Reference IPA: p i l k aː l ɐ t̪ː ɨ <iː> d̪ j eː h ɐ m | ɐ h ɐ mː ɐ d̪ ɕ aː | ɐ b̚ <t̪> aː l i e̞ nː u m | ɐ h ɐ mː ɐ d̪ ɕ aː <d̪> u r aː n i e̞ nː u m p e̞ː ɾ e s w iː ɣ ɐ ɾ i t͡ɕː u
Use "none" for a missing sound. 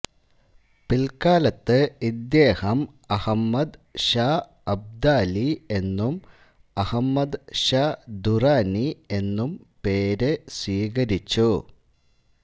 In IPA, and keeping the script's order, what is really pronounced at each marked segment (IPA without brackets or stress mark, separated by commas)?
i, d̪, d̪